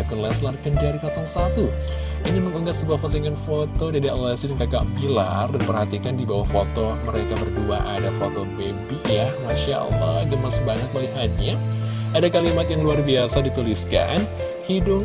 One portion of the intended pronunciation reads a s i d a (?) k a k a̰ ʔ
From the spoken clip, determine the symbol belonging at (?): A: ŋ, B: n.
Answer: B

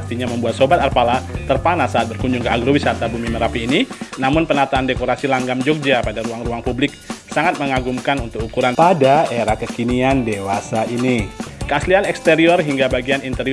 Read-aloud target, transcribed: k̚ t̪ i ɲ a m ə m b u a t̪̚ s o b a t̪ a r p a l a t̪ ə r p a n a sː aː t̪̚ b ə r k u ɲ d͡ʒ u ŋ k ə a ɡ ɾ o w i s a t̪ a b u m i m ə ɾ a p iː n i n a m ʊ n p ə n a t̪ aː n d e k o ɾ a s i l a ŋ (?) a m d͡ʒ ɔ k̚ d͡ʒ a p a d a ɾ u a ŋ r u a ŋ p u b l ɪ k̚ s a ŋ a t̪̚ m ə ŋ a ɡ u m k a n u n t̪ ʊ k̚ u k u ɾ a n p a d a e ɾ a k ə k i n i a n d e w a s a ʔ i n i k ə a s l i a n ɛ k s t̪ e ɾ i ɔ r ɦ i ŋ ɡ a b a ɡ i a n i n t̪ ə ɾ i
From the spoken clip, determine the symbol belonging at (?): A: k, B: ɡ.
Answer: B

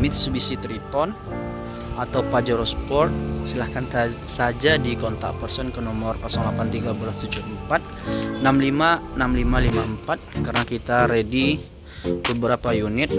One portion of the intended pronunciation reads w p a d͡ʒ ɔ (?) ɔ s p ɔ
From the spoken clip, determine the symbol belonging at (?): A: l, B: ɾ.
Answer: B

